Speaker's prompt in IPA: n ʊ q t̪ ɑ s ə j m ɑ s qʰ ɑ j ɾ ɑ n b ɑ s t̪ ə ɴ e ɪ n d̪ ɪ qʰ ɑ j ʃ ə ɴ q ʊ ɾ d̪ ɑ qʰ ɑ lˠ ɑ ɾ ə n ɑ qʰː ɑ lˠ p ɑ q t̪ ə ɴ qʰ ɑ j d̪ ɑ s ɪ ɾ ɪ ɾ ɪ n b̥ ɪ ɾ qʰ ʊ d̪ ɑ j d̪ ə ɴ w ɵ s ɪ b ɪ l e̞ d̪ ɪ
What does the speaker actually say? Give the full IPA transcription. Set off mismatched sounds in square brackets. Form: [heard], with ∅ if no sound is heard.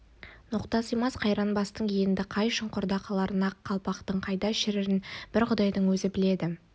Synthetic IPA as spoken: n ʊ q t̪ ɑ s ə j m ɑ s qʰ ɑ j ɾ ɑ n b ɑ s t̪ ə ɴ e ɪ n d̪ ɪ qʰ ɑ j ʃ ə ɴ q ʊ ɾ d̪ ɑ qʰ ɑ lˠ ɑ ɾ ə n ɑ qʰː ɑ lˠ p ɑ q t̪ ə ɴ qʰ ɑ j d̪ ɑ [ʃ] ɪ ɾ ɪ ɾ ɪ n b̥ ɪ ɾ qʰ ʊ d̪ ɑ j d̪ ə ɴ w ɵ [z] ɪ b ɪ l e̞ d̪ ɪ

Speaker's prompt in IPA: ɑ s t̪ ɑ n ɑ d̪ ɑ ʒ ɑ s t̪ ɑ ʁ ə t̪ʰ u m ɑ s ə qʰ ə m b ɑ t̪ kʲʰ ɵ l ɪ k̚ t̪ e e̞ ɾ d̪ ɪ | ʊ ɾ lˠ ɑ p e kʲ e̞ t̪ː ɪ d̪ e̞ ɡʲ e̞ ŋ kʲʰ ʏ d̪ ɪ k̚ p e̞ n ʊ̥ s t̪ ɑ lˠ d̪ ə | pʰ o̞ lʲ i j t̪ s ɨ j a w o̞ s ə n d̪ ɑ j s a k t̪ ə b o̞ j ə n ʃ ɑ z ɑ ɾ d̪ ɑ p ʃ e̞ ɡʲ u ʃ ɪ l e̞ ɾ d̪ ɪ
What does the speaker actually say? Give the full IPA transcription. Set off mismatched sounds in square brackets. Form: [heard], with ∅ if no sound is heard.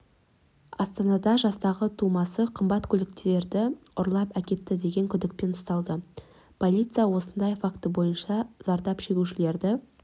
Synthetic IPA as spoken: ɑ s t̪ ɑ n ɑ d̪ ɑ ʒ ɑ s t̪ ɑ ʁ ə t̪ʰ u m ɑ s ə qʰ ə m b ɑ t̪ kʲʰ ɵ l ɪ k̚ t̪ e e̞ ɾ d̪ ɪ | ʊ ɾ lˠ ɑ p [æ] kʲ e̞ t̪ː ɪ d̪ e̞ ɡʲ e̞ ŋ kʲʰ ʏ d̪ ɪ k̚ p e̞ n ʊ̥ s t̪ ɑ lˠ d̪ ə | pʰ o̞ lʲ i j t̪ s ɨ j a w o̞ s ə n d̪ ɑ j [f] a k t̪ ə b o̞ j ə n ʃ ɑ z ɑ ɾ d̪ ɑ p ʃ e̞ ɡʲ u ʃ ɪ l e̞ ɾ d̪ ɪ

